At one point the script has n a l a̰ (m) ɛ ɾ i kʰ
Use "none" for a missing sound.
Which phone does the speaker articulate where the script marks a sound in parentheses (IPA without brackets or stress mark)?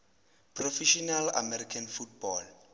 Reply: m